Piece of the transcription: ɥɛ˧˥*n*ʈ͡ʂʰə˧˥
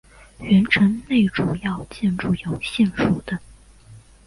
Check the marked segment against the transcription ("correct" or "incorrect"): correct